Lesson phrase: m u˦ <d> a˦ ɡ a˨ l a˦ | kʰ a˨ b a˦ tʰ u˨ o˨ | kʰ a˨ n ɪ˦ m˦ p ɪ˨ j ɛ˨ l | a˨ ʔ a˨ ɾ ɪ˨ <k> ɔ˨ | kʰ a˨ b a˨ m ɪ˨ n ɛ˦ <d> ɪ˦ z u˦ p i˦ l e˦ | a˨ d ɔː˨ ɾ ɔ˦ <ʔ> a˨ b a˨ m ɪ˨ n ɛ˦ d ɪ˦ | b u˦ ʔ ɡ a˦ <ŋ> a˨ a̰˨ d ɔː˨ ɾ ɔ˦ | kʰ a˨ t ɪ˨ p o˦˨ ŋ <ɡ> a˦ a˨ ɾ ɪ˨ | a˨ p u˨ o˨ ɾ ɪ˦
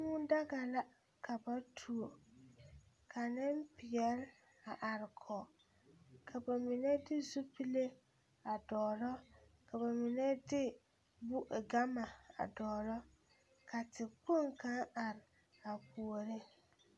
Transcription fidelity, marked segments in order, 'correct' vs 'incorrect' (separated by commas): correct, incorrect, correct, incorrect, incorrect, incorrect